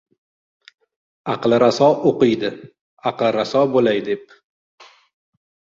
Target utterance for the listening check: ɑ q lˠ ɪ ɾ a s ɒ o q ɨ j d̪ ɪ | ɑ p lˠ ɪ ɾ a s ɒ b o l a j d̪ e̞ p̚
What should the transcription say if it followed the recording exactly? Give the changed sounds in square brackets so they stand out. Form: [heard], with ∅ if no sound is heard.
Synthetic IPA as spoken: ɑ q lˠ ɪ ɾ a s ɒ o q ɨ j d̪ ɪ | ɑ [q] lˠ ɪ ɾ a s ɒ b o l a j d̪ e̞ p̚